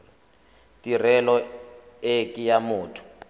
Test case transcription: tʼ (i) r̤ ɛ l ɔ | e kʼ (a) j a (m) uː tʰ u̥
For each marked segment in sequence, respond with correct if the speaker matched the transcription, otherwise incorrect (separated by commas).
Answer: correct, incorrect, correct